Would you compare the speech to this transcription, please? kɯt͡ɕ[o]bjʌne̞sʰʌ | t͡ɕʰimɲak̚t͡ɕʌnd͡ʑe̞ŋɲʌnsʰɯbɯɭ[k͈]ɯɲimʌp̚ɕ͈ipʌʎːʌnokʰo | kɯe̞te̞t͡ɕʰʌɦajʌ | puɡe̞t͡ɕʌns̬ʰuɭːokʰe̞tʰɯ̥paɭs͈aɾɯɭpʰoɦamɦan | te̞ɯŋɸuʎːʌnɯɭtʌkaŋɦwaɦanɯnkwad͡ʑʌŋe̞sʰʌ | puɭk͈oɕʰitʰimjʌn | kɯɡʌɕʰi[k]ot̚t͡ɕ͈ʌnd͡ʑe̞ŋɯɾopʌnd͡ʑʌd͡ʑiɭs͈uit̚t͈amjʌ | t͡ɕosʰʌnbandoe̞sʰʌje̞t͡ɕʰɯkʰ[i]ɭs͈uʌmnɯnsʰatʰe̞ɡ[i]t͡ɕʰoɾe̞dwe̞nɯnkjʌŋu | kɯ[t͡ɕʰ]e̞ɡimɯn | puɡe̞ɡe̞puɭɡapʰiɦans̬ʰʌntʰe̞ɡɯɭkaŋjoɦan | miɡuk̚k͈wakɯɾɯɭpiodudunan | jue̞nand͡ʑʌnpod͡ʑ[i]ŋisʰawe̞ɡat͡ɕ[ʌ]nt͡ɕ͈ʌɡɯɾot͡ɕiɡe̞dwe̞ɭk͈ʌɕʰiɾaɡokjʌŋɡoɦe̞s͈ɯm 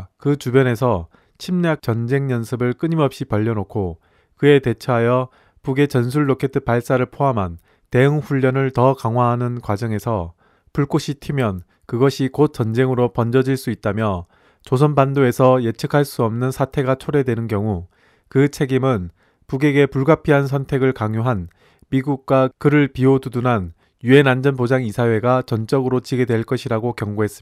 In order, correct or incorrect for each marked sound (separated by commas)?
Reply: incorrect, correct, correct, incorrect, incorrect, correct, incorrect, correct